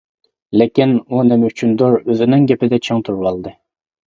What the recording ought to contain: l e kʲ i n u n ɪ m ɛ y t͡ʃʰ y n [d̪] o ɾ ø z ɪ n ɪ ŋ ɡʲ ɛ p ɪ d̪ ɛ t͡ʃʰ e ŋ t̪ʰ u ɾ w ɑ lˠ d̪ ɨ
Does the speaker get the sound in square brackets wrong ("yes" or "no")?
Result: no